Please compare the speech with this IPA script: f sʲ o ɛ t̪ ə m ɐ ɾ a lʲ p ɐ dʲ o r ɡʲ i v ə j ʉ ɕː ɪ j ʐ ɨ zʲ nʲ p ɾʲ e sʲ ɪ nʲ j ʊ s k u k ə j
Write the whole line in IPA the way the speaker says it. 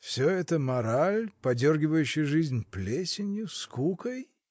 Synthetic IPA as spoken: f sʲ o ɛ t̪ ə m ɐ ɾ a lʲ p ɐ dʲ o r ɡʲ ɪ v ə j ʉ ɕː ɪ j ʐ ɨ zʲ nʲ p lʲ e sʲ ɪ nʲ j ʊ s k u k ə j